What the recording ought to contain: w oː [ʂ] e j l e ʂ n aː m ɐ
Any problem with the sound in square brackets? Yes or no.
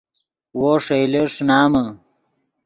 no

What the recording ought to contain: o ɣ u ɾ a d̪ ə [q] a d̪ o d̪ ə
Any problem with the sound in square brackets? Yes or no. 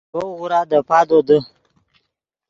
yes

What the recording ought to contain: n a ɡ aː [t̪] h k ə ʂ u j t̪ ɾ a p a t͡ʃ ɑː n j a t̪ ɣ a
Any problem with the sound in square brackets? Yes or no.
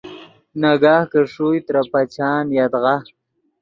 yes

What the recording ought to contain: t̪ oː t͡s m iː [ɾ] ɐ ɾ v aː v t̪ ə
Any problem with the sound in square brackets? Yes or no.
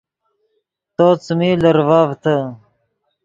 yes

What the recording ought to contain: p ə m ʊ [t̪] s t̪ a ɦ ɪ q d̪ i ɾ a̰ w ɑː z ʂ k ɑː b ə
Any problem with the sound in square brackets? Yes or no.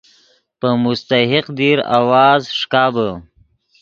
yes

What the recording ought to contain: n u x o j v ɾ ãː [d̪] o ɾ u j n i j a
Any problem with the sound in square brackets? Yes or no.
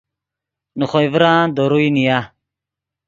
no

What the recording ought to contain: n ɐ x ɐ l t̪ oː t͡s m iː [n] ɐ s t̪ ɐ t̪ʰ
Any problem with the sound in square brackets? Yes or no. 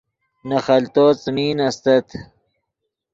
no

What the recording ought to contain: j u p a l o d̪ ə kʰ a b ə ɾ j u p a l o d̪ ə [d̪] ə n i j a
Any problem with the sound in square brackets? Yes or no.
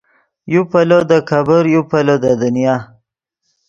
no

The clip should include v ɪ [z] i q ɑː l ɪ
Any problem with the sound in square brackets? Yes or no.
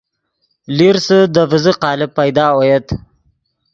no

